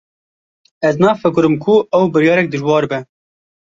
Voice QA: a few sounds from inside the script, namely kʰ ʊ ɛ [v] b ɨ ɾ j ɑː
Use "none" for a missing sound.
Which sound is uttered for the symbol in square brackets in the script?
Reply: w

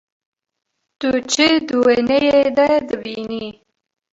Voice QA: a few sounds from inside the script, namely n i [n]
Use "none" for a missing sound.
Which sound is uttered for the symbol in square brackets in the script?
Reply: none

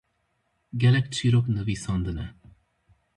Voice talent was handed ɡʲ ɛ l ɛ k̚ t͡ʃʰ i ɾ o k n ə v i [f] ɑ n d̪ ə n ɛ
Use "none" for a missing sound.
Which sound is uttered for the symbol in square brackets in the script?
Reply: s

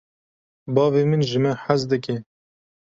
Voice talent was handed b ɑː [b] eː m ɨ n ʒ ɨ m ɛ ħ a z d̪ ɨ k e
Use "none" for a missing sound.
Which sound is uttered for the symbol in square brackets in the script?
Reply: v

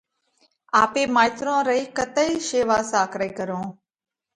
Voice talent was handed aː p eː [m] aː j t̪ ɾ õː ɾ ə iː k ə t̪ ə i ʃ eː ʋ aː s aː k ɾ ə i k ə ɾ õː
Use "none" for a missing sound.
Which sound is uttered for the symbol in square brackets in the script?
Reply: m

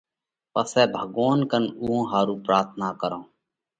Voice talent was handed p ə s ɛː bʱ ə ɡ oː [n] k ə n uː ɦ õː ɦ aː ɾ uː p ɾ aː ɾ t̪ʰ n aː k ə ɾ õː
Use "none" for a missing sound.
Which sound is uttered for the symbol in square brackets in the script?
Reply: n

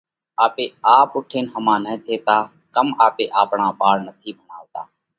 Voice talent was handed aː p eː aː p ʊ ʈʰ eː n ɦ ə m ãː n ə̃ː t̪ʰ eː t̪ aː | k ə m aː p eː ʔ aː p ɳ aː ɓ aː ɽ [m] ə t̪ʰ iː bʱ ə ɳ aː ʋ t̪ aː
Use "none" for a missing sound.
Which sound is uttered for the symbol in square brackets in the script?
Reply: n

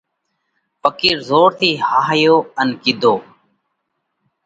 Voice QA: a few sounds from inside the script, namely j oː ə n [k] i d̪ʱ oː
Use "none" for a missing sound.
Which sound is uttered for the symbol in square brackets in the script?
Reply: k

